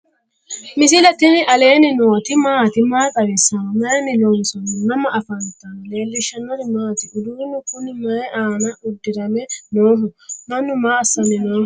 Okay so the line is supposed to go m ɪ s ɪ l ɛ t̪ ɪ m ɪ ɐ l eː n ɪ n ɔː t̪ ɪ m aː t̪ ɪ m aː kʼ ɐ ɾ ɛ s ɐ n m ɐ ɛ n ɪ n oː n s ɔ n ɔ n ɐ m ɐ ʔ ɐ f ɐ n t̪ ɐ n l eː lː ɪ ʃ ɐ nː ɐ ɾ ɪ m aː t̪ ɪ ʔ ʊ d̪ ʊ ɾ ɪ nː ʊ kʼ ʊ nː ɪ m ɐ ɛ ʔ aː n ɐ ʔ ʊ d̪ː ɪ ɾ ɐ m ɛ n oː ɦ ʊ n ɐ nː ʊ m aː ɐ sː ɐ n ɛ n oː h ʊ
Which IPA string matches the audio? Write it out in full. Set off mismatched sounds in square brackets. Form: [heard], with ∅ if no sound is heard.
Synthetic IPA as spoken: m ɪ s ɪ l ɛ t̪ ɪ [n] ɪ ɐ l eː n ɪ n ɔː t̪ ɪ m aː t̪ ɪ m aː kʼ ɐ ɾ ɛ s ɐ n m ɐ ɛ n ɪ n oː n s ɔ n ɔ n ɐ m ɐ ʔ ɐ f ɐ n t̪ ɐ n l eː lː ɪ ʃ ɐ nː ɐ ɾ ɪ m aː t̪ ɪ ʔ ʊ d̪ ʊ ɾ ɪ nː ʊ [k] ʊ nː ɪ m ɐ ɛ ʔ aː n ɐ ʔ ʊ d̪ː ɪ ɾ ɐ m ɛ n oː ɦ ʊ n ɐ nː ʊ m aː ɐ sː ɐ n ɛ n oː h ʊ